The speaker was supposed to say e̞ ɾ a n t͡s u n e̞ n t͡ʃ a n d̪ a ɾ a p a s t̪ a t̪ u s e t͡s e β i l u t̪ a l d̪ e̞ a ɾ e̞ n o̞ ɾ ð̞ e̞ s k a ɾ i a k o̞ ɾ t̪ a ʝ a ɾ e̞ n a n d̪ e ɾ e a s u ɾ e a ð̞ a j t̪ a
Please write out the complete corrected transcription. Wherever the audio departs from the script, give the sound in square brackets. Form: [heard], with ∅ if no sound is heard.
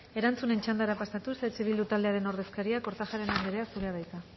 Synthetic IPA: e̞ ɾ a n t͡s u n e̞ n t͡ʃ a n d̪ a ɾ a p a s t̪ a t̪ u s e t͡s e β i l u t̪ a l d̪ e̞ a ɾ e̞ n o̞ ɾ ð̞ e̞ s k a ɾ i a k o̞ ɾ t̪ a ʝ a ɾ e̞ n a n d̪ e ɾ e a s u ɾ e a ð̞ a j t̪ a